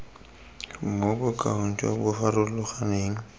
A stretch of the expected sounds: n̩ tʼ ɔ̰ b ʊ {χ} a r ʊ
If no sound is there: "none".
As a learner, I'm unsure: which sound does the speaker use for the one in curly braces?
f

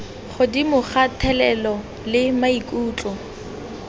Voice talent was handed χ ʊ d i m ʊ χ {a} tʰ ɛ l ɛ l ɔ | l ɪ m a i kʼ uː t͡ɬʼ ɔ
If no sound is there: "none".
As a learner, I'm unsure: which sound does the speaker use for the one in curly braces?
a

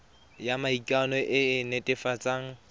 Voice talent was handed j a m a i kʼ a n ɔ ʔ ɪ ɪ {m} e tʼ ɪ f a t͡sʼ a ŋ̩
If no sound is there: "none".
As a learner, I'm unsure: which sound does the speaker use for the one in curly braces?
n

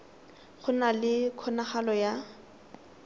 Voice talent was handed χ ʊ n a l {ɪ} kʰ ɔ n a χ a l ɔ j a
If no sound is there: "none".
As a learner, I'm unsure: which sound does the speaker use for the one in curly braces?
ɪ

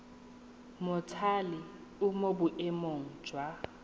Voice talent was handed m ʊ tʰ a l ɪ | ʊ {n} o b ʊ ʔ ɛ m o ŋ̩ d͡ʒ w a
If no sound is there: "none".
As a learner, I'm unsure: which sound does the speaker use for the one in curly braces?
m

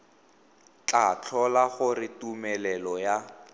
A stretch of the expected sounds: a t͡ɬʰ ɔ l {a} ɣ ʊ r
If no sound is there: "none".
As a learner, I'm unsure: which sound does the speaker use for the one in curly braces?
a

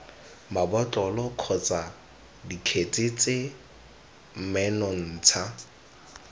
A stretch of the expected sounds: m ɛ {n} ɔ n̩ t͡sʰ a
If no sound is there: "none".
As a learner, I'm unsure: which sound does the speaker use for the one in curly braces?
n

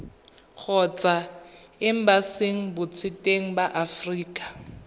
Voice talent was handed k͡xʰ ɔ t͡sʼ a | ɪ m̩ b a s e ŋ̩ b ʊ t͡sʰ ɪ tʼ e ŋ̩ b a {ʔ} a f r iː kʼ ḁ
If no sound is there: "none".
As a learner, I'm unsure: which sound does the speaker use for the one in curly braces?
ʔ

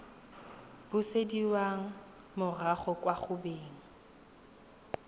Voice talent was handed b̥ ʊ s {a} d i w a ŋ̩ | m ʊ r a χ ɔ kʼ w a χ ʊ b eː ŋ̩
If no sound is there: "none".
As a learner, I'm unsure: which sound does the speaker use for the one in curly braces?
e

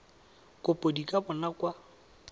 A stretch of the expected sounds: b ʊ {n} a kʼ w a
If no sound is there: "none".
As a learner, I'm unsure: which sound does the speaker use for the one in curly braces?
n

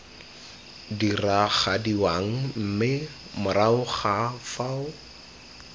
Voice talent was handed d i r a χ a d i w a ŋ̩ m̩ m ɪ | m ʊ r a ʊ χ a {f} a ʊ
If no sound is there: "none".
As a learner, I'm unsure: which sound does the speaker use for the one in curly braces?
f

